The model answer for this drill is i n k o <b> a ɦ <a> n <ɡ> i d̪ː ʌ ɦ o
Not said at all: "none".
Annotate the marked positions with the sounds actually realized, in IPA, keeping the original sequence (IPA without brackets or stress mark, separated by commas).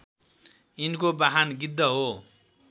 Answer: b, a, ɡ